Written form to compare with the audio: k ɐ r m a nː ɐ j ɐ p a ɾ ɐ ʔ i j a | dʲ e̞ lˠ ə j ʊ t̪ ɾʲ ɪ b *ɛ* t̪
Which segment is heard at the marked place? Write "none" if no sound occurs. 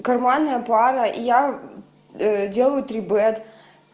ɛ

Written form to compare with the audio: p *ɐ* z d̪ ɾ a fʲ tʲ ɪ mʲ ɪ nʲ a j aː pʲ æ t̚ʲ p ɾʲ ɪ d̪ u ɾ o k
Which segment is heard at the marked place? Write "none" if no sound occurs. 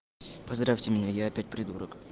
ɐ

